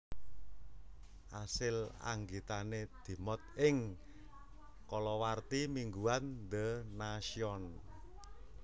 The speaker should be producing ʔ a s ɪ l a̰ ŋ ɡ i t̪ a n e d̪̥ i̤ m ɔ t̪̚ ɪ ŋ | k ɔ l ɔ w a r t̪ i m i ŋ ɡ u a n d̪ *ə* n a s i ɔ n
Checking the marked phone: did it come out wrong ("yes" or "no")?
no